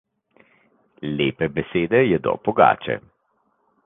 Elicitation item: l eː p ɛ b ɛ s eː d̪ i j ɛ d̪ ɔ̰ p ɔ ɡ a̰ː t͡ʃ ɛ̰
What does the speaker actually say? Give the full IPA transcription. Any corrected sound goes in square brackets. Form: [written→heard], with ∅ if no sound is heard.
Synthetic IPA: l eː p ɛ b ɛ s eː d̪ [i→ɛ] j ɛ d̪ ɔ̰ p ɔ ɡ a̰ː t͡ʃ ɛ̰

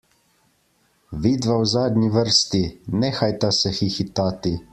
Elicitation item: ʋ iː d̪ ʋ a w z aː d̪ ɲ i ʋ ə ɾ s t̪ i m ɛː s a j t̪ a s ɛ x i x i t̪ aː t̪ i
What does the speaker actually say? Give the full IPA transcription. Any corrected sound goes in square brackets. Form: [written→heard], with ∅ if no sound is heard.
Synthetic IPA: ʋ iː d̪ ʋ a w z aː d̪ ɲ i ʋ ə ɾ s t̪ i [m→n] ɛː [s→x] a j t̪ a s ɛ x i x i t̪ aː t̪ i

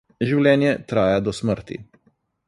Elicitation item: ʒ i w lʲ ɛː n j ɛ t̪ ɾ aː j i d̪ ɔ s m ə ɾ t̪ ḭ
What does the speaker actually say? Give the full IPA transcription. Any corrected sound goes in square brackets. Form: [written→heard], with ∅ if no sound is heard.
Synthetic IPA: ʒ i w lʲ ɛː n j ɛ t̪ ɾ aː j [i→a] d̪ ɔ s m ə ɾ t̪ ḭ

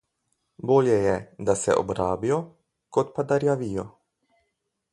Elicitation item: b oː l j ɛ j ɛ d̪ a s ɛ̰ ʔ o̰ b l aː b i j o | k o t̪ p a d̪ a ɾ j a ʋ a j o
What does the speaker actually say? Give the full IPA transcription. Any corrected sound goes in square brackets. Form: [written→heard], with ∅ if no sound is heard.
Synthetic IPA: b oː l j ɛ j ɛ d̪ a s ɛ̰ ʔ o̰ b [l→ɾ] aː b i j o | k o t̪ p a d̪ a ɾ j a ʋ [a→i] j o

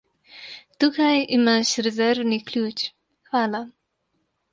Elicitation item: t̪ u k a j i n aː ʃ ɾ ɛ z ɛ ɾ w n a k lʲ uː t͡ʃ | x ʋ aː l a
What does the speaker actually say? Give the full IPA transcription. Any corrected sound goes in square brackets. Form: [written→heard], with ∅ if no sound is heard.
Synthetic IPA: t̪ u k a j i [n→m] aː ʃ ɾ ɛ z ɛ ɾ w n [a→i] k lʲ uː t͡ʃ | x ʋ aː l a

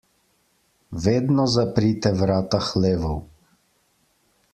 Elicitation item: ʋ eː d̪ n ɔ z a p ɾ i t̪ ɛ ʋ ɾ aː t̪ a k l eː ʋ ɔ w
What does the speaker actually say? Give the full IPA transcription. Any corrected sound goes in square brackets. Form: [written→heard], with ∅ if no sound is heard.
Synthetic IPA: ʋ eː d̪ n ɔ z a p ɾ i t̪ ɛ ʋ ɾ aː t̪ a [k→x] l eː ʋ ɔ w

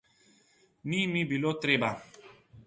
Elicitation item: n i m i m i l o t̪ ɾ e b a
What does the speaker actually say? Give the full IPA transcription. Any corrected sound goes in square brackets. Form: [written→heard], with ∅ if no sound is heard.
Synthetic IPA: n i m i [m→b] i l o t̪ ɾ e b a

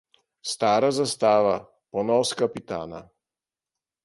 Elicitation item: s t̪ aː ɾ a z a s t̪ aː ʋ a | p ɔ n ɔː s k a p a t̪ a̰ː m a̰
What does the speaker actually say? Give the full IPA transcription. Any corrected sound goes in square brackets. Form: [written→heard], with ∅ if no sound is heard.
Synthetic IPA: s t̪ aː ɾ a z a s t̪ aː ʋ a | p ɔ n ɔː s k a p [a→i] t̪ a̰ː [m→n] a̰

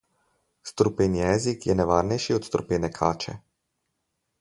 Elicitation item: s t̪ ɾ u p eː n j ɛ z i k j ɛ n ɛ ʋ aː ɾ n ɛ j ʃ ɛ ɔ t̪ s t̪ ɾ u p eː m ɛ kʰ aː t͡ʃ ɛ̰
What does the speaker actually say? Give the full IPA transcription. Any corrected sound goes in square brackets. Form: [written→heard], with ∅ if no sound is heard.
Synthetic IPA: s t̪ ɾ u p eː n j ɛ z i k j ɛ n ɛ ʋ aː ɾ n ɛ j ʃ [ɛ→i] ɔ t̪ s t̪ ɾ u p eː [m→n] ɛ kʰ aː t͡ʃ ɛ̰

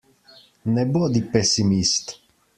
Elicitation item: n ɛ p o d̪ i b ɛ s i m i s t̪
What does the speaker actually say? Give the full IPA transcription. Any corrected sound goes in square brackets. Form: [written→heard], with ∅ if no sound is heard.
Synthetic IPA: n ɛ [p→b] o d̪ i [b→p] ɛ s i m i s t̪

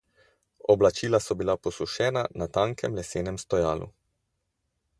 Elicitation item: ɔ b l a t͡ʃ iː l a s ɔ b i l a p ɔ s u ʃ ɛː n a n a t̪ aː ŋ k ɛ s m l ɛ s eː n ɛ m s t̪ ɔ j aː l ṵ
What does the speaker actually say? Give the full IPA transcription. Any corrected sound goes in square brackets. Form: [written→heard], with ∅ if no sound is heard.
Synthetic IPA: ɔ b l a t͡ʃ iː l a s ɔ b i l a p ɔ s u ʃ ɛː n a n a t̪ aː ŋ k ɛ [s→∅] m l ɛ s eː n ɛ m s t̪ ɔ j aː l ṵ

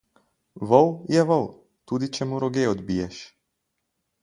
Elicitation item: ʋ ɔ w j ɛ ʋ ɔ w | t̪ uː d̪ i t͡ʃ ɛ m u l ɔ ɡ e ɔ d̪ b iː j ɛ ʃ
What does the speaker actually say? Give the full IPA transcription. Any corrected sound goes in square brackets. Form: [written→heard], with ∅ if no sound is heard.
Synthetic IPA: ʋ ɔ w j ɛ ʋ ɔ w | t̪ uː d̪ i t͡ʃ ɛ m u [l→ɾ] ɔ ɡ e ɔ d̪ b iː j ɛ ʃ

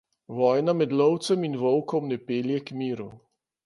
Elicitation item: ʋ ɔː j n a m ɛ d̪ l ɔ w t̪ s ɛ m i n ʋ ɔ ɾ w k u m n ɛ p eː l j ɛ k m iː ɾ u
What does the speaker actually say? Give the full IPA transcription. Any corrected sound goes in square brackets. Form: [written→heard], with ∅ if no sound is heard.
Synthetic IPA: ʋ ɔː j n a m ɛ d̪ l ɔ w t̪ s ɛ m i n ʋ ɔ [ɾ→∅] w k [u→ɔ] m n ɛ p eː l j ɛ k m iː ɾ u

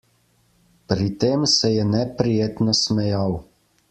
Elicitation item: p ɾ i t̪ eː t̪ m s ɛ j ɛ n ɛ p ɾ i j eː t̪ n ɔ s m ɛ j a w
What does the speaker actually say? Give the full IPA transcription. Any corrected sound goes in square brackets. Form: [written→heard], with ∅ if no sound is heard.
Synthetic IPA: p ɾ i t̪ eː [t̪→∅] m s ɛ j ɛ n ɛ p ɾ i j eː t̪ n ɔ s m ɛ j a w

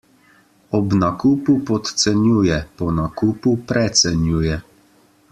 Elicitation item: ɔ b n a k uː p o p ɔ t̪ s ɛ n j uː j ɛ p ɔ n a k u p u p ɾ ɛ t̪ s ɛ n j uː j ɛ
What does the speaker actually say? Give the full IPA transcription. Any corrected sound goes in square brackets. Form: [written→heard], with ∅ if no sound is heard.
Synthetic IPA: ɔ b n a k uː p [o→u] p ɔ t̪ s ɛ n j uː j ɛ p ɔ n a k u p u p ɾ ɛ t̪ s ɛ n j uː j ɛ

